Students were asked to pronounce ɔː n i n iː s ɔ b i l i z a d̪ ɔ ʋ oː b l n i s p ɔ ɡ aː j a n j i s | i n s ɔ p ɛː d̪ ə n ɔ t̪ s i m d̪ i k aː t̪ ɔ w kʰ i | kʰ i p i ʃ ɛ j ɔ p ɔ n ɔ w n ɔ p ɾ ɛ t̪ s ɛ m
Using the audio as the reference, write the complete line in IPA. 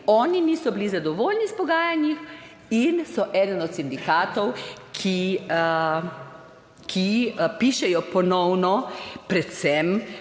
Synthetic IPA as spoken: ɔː n i n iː s ɔ b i l i z a d̪ ɔ ʋ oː l n i s p ɔ ɡ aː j a n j i x | i n s ɔ ʔ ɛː d̪ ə n ɔ t̪ s i n d̪ i k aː t̪ ɔ w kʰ i | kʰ i p i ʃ ɛ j ɔ p ɔ n ɔ w n ɔ p ɾ ɛ t̪ s ɛ m